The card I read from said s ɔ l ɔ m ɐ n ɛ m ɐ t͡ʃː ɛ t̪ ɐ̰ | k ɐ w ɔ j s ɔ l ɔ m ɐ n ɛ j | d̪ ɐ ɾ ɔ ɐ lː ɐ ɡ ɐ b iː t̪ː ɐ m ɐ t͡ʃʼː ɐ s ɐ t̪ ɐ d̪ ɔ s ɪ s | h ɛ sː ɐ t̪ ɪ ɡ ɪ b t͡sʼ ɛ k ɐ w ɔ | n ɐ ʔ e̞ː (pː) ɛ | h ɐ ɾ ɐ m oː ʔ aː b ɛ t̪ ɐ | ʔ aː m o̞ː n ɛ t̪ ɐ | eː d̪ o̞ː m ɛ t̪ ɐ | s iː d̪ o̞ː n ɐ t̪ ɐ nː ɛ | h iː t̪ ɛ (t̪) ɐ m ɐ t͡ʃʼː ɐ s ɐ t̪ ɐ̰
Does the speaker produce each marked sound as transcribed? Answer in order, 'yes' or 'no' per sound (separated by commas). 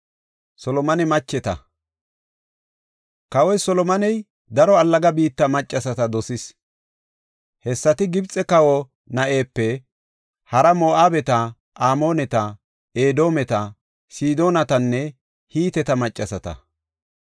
yes, yes